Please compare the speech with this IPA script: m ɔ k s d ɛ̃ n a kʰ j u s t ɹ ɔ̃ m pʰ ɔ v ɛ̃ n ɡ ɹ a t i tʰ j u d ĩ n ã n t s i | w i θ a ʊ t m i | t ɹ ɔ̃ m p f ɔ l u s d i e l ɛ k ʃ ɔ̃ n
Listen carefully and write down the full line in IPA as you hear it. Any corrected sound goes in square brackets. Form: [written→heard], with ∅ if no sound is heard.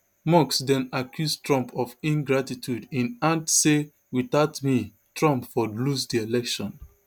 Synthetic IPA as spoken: m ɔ k s d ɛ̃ n a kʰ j u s t ɹ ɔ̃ m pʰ ɔ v [ɛ̃→ĩ] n ɡ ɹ a t i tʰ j u d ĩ n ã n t s [i→e] | w i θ a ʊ t m i | t ɹ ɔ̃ m p f ɔ l u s d i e l ɛ k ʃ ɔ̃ n